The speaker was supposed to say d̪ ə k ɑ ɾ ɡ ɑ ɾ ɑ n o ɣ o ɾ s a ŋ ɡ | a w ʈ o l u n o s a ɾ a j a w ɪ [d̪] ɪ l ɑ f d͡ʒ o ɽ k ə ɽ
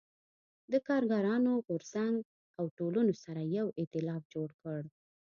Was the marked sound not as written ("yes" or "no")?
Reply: yes